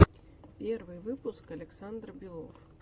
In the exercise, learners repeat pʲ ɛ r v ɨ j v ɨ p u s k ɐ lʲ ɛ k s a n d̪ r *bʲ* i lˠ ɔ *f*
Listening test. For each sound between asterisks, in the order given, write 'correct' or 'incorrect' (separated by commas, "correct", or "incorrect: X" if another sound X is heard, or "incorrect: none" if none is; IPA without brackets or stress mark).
correct, correct